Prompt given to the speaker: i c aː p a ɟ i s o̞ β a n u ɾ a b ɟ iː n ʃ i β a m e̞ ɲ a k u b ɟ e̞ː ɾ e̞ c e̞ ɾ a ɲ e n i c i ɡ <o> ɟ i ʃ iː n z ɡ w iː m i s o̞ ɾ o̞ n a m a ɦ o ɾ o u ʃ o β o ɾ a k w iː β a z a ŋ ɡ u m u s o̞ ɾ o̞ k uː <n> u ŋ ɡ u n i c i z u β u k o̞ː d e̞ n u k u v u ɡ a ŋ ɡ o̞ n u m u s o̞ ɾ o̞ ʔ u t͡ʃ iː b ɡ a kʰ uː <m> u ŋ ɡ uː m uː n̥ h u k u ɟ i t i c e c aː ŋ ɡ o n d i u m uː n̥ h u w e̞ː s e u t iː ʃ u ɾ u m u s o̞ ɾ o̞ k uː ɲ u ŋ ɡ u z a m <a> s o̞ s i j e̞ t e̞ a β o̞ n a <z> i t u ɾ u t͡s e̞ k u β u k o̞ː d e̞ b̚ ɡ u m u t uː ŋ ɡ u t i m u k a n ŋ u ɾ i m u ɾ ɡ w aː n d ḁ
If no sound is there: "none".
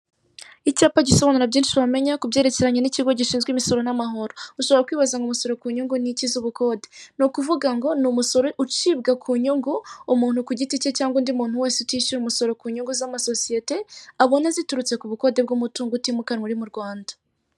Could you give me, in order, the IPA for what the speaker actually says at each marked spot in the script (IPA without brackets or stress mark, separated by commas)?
o, ɲ, ɲ, a, z